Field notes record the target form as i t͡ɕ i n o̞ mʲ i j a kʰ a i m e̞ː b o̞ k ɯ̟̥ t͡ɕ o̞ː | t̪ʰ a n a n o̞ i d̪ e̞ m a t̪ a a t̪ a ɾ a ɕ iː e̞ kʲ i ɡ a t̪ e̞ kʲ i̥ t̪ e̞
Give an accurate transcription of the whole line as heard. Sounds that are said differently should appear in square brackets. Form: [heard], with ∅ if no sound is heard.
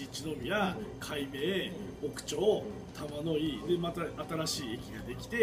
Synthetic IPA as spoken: i t͡ɕ i n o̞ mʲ i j a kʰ a i m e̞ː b o̞ k ɯ̟̥ t͡ɕ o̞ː | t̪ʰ a [m] a n o̞ i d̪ e̞ m a t̪ a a t̪ a ɾ a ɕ iː e̞ kʲ i ɡ a [d̪] e̞ kʲ i̥ t̪ e̞